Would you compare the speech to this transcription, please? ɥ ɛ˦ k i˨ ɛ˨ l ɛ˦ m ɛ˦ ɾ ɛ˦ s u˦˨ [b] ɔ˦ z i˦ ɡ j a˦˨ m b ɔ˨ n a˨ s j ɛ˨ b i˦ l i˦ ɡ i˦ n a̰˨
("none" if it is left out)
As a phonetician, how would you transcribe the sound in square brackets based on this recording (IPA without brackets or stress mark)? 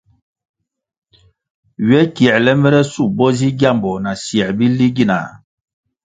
b